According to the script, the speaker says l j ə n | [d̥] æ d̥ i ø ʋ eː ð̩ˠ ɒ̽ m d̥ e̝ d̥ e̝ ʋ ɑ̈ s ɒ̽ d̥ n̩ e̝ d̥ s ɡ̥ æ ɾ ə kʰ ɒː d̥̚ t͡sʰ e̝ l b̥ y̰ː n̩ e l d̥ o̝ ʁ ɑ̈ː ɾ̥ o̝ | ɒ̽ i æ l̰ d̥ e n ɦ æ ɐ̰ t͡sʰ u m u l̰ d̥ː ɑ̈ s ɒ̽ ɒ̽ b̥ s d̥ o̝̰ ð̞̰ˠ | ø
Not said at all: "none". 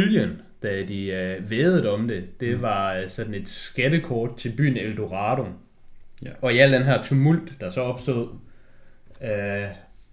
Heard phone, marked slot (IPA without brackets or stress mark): d̥